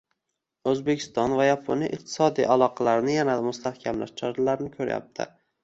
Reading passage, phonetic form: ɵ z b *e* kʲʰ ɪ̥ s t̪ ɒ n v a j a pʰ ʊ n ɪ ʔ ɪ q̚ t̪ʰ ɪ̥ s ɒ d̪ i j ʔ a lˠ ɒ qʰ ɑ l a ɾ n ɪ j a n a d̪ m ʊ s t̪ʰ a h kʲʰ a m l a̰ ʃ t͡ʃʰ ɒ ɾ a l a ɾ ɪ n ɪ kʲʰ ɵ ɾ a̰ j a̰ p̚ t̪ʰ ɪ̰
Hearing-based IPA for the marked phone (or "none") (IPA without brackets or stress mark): e